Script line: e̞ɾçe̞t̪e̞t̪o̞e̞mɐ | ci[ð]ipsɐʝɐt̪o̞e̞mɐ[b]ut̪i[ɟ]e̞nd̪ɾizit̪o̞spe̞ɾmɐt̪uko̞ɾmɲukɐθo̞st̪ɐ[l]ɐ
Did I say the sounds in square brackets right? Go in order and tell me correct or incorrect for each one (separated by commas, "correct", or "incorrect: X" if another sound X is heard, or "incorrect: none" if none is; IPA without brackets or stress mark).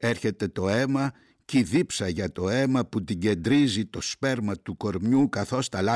correct, incorrect: p, correct, correct